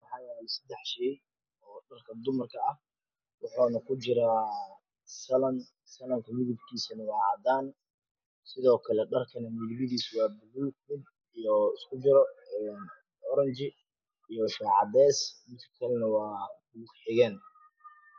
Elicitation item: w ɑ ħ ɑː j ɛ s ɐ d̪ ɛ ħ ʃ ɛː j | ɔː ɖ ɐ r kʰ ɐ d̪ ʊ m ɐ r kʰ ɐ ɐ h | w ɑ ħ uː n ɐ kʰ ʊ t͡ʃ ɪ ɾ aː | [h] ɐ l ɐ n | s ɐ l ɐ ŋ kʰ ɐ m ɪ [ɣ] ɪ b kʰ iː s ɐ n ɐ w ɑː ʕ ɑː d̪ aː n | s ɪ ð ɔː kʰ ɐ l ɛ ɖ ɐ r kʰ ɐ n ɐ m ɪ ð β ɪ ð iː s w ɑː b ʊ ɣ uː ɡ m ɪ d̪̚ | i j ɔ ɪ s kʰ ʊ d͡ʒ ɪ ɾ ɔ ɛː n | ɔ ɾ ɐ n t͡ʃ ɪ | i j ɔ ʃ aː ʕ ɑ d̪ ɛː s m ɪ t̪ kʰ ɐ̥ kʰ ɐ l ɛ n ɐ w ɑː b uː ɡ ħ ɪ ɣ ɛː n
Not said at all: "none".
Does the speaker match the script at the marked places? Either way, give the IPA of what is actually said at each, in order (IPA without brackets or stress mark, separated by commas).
s, ð